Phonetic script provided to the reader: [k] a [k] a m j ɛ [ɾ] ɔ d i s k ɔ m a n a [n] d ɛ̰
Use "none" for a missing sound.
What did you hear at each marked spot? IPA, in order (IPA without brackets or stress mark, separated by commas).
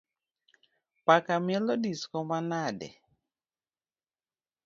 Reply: p, k, l, none